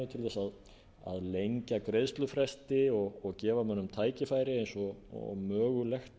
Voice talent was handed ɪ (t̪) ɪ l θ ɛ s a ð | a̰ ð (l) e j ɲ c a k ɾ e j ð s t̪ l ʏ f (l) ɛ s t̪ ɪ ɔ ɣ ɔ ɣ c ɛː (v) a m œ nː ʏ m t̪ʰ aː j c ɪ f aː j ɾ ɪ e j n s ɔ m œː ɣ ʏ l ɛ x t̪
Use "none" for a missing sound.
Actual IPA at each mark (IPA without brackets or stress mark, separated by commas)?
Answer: t̪ʰ, l, ɾ, v